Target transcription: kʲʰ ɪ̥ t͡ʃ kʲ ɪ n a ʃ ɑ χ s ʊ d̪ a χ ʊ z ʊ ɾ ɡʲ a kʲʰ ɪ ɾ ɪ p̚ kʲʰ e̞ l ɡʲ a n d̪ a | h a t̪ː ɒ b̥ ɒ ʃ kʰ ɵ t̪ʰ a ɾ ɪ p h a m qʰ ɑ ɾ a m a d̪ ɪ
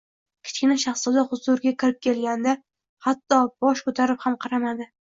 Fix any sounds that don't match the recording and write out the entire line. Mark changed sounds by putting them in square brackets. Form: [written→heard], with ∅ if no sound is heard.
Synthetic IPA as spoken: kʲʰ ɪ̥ t͡ʃ kʲ ɪ n a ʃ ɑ χ s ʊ d̪ a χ ʊ z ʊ ɾ ɡʲ a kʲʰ ɪ ɾ ɪ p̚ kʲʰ e̞ l ɡʲ a n d̪ a | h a t̪ː ɒ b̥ ɒ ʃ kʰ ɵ t̪ʰ a ɾ ɪ p h a m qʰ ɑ ɾ a m a d̪ ɪ